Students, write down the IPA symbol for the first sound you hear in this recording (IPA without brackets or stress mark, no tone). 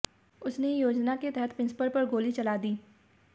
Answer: ʊ